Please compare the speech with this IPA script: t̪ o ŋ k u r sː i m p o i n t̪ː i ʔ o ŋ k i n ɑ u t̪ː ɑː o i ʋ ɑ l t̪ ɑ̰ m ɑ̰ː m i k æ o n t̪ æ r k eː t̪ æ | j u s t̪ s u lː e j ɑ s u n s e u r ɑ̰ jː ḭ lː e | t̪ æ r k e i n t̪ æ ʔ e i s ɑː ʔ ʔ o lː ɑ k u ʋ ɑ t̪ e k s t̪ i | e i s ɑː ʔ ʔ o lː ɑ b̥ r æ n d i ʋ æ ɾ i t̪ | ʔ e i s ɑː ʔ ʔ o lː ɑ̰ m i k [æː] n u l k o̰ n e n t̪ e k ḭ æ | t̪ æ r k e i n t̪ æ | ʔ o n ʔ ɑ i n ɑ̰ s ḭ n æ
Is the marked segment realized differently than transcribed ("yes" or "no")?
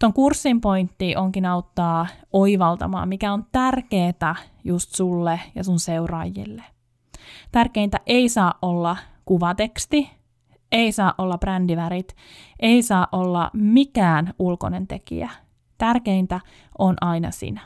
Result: no